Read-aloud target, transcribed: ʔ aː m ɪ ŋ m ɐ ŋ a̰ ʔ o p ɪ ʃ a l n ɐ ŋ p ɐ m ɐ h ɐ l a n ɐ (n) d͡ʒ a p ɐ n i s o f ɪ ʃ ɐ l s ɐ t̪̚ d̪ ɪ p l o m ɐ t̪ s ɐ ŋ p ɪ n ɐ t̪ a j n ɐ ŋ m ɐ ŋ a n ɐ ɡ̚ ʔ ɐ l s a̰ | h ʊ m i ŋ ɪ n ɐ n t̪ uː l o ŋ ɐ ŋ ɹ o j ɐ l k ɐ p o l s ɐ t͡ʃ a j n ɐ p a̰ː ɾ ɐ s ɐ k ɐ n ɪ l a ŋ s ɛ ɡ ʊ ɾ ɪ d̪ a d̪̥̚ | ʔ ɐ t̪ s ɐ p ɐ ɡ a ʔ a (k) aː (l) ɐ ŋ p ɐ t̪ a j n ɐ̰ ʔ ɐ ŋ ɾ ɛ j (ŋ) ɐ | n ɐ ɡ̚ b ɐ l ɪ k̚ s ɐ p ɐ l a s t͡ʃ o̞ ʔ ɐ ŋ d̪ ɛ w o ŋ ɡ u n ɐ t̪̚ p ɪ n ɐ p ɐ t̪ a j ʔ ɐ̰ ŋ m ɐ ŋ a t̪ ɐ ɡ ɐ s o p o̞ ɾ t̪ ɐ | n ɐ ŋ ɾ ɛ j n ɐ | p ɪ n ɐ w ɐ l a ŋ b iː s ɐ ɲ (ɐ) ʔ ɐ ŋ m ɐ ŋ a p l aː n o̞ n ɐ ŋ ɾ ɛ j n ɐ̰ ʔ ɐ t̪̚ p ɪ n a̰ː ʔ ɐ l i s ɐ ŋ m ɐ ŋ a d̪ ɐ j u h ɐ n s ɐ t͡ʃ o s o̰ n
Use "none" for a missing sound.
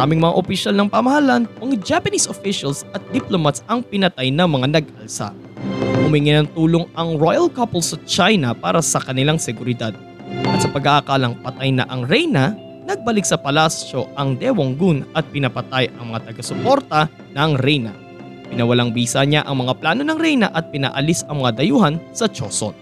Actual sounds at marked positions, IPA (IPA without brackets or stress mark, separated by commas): ŋ, k, l, n, a